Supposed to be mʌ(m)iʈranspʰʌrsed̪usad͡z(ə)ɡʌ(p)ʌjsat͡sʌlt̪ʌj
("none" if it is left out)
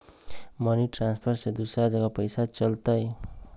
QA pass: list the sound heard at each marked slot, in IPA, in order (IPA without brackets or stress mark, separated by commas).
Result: n, ʌ, p